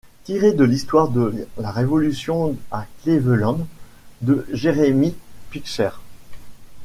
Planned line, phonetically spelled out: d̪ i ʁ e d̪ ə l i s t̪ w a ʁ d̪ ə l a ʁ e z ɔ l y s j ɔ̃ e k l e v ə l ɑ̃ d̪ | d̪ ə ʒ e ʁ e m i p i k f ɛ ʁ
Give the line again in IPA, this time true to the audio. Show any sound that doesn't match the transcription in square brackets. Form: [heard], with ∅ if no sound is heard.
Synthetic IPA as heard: [t̪] i ʁ e d̪ ə l i s t̪ w a ʁ d̪ ə l a ʁ e [v] ɔ l y s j ɔ̃ [a] k l e v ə l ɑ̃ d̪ | d̪ ə ʒ e ʁ e m i p i k [ʃ] ɛ ʁ